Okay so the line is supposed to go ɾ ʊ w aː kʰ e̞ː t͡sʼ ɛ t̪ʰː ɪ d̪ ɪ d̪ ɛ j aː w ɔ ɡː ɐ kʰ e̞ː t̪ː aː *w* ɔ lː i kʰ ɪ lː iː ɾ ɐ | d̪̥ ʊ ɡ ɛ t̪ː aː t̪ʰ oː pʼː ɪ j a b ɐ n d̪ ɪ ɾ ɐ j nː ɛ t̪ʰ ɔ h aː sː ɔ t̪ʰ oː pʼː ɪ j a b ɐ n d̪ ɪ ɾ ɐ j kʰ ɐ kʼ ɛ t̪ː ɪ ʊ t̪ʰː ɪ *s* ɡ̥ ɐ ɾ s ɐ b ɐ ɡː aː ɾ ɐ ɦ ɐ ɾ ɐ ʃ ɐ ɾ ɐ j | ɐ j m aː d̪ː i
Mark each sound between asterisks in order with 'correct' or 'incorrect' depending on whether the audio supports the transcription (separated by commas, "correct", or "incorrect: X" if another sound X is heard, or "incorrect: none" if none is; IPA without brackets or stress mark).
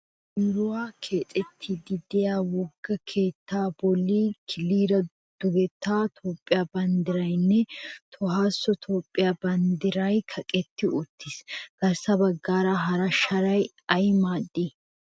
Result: incorrect: b, correct